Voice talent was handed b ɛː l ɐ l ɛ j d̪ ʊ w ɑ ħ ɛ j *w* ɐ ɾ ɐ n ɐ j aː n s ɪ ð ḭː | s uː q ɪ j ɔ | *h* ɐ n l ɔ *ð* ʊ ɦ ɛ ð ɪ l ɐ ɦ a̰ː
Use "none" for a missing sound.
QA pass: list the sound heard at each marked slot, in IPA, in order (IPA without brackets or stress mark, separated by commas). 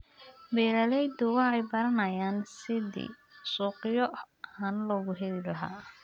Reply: b, h, ɣ